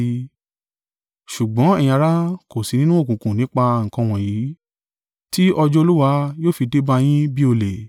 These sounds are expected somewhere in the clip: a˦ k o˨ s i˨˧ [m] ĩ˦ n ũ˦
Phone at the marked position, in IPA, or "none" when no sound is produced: n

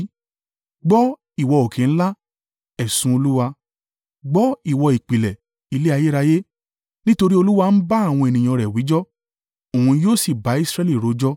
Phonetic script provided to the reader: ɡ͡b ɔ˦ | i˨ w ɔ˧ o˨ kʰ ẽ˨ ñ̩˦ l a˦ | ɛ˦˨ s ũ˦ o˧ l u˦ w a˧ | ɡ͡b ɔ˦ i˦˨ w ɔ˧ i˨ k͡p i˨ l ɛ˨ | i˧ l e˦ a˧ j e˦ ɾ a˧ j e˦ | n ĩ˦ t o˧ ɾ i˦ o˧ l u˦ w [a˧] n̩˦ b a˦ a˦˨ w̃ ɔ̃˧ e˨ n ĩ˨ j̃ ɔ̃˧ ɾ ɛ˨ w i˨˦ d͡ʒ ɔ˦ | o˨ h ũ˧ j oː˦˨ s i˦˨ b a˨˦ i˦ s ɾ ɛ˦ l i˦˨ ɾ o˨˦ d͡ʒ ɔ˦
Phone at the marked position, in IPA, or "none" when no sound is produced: a˧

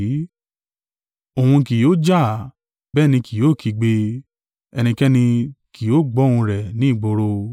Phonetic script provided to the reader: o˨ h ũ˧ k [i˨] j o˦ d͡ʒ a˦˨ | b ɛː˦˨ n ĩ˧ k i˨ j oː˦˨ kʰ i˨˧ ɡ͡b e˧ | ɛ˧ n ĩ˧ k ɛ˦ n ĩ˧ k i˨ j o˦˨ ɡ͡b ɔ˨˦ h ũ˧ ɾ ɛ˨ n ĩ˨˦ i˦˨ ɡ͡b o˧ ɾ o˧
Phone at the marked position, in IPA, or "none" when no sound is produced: i˨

